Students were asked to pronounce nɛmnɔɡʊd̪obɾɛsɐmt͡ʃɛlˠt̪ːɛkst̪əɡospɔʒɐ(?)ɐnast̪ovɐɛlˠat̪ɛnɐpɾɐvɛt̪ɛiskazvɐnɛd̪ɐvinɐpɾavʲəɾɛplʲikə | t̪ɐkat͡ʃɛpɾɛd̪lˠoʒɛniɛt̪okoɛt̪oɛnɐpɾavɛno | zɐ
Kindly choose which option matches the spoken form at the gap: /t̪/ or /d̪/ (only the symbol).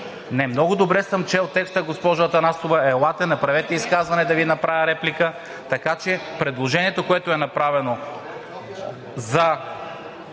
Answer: t̪